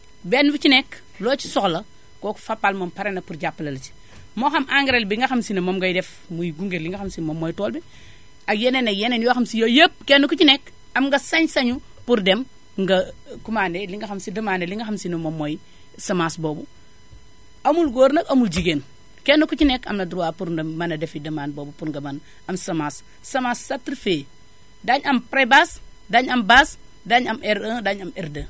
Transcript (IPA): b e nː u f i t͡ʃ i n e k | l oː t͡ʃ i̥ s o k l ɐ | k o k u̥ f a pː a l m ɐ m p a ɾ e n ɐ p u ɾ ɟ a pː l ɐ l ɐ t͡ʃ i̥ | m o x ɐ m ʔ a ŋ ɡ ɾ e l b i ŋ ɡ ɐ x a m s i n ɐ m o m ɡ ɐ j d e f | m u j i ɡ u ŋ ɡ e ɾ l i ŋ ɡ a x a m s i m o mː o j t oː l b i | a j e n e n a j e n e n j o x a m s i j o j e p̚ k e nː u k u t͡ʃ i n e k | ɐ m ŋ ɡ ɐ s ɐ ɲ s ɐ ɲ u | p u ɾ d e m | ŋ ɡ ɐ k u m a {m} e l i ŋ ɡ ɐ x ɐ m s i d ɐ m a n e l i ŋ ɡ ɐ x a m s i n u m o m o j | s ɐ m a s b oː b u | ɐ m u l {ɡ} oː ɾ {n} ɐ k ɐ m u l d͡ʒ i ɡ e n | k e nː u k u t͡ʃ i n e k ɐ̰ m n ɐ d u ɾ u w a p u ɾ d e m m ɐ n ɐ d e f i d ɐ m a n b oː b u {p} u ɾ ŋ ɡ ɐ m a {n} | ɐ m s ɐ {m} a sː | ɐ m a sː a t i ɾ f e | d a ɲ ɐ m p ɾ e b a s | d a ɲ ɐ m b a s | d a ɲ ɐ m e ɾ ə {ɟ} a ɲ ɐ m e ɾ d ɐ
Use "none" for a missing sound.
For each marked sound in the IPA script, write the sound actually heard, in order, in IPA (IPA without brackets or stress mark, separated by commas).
n, ɡ, n, p, n, m, d